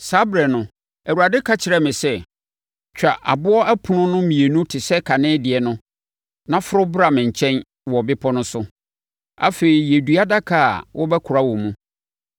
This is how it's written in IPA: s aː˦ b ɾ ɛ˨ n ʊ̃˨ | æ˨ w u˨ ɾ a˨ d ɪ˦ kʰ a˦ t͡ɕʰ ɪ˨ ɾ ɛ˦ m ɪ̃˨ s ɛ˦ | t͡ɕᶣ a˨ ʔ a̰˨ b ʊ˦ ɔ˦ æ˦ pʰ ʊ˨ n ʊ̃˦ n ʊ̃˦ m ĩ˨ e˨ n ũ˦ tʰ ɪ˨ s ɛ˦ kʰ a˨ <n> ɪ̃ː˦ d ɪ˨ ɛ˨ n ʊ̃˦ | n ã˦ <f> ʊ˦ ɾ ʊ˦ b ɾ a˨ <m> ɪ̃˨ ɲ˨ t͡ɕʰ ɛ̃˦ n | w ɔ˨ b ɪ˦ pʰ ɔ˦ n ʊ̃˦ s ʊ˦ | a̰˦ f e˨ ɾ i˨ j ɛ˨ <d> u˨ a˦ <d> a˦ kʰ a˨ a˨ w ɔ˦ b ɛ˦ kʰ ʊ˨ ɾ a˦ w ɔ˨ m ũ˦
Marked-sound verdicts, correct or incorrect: correct, correct, correct, correct, correct

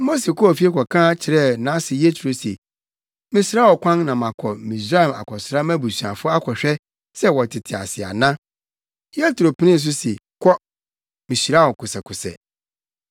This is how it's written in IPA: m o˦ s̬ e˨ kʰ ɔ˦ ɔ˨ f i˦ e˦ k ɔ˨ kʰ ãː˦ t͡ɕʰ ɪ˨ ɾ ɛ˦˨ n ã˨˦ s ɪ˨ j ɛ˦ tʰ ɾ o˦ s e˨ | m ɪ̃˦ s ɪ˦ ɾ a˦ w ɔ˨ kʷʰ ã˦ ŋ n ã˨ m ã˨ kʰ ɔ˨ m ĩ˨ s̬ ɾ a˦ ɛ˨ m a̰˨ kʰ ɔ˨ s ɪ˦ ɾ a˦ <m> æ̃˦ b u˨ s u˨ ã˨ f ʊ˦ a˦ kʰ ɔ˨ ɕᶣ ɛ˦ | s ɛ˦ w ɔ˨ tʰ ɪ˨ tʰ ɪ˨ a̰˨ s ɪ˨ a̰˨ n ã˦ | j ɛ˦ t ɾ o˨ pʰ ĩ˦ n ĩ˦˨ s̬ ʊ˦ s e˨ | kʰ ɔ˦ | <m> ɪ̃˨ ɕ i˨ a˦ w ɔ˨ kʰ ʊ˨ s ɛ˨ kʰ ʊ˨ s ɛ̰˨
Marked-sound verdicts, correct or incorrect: correct, correct

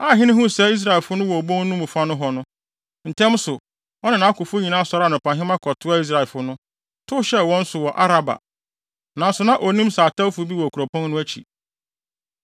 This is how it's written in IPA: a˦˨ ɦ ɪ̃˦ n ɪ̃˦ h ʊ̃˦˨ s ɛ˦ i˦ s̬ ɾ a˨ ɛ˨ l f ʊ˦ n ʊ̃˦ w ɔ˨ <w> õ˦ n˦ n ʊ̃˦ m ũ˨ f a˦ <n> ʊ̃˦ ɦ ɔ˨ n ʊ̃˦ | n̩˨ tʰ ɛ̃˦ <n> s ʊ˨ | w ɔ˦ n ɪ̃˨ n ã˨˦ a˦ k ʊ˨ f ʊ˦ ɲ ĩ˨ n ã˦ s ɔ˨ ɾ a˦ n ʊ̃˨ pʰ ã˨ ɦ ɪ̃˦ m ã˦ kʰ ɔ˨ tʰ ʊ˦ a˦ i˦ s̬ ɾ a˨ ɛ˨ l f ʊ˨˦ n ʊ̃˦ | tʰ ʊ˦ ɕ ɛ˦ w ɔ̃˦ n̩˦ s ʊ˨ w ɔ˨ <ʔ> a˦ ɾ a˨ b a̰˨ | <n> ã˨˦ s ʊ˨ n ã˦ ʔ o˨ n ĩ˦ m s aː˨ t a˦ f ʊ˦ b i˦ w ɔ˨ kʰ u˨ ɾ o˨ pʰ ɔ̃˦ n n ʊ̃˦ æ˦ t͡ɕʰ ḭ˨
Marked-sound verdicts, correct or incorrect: incorrect: b, correct, incorrect: m, correct, correct

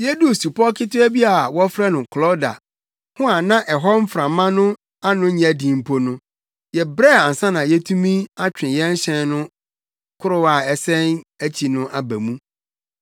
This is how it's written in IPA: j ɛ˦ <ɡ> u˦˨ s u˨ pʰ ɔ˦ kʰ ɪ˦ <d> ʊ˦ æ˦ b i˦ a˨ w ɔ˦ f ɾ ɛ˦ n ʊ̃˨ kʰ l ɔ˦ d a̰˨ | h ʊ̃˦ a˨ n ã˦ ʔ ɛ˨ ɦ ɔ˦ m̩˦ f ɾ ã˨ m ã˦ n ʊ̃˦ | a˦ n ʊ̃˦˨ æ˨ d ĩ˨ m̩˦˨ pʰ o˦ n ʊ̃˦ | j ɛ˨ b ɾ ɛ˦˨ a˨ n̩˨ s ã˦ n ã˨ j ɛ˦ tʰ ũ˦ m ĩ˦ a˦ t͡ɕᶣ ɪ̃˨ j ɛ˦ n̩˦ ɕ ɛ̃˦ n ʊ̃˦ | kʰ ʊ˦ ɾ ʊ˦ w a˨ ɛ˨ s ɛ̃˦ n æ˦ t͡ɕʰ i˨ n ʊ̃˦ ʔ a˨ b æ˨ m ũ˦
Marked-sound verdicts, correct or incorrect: incorrect: d, incorrect: t

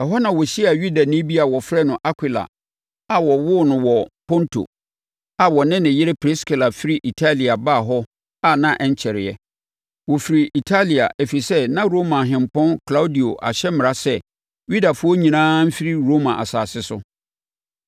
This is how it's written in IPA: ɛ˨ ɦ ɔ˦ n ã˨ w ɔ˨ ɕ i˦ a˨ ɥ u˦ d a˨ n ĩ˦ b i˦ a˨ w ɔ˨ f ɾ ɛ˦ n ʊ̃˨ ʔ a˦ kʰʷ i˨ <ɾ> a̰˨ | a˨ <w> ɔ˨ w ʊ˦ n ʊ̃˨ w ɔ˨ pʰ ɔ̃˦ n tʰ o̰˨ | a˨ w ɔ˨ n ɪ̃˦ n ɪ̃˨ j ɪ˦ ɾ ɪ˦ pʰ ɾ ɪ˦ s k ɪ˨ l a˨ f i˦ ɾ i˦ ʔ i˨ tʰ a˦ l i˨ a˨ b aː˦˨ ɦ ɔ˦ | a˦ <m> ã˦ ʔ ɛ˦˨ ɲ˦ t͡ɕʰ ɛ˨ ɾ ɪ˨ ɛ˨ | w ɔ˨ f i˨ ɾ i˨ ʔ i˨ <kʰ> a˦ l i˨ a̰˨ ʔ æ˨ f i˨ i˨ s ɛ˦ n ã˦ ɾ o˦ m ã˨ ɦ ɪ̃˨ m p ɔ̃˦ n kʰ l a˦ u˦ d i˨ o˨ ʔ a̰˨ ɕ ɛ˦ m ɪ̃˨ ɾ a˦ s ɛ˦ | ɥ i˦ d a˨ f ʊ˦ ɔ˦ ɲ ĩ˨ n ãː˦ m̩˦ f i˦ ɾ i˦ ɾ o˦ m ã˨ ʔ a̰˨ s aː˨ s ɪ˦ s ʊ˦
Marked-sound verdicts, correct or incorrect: incorrect: l, correct, incorrect: n, incorrect: tʰ

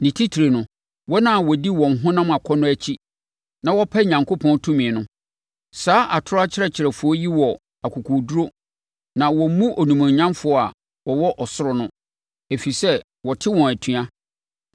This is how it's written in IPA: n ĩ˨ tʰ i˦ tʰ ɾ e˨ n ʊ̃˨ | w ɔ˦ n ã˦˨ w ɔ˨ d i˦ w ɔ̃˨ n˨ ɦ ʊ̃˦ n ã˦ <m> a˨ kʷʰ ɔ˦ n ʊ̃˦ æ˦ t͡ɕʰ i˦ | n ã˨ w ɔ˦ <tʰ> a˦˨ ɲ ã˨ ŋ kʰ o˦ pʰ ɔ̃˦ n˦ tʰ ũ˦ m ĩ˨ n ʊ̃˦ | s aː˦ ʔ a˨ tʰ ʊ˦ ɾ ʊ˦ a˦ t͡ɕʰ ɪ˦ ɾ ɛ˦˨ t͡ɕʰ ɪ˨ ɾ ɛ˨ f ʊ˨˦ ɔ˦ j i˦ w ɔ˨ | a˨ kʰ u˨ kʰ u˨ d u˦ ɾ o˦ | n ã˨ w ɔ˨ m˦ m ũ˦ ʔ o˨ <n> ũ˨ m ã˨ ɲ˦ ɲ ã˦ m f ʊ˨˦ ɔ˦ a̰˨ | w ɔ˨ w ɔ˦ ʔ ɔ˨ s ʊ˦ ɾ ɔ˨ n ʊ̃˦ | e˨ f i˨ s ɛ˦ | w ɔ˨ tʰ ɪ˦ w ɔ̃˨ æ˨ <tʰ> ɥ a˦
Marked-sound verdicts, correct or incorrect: correct, incorrect: pʰ, correct, correct

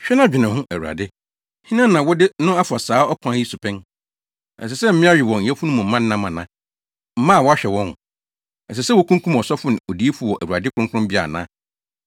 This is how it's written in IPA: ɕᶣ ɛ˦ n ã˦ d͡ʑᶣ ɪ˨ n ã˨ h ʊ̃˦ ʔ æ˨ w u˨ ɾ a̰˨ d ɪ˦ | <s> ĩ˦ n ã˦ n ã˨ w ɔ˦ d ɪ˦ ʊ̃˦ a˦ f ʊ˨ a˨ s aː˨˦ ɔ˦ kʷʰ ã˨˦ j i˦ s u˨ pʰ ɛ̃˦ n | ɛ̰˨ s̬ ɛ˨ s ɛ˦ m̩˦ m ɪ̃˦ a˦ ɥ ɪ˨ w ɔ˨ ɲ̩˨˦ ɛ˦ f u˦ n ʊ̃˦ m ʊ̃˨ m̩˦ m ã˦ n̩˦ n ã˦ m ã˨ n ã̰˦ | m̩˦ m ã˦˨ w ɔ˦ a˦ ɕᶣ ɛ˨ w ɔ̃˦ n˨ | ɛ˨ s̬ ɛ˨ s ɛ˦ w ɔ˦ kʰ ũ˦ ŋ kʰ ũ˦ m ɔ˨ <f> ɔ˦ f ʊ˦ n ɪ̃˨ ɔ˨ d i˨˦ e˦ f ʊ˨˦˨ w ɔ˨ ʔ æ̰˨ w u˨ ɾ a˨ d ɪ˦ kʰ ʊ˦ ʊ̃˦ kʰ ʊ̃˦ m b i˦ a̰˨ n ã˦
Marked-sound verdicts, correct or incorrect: incorrect: h, incorrect: s

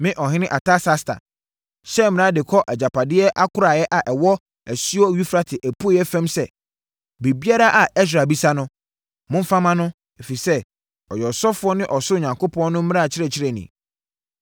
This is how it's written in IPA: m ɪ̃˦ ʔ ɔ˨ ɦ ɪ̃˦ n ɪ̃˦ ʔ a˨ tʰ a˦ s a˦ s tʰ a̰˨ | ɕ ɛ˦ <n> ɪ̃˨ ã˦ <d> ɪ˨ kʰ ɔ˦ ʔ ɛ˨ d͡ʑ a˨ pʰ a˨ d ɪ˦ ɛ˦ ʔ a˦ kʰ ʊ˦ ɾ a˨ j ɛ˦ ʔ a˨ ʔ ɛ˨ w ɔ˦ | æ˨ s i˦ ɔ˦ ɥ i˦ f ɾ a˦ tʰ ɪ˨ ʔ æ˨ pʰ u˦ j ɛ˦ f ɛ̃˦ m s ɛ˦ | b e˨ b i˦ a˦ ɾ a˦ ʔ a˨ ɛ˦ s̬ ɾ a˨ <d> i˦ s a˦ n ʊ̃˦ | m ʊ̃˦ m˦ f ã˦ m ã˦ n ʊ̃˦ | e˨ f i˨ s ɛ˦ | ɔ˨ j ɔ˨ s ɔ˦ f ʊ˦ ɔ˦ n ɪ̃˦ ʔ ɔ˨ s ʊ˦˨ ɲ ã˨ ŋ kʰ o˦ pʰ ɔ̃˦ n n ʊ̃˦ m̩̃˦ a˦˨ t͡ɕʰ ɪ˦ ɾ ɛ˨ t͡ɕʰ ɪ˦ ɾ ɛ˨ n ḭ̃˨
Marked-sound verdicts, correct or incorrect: incorrect: m, correct, incorrect: b

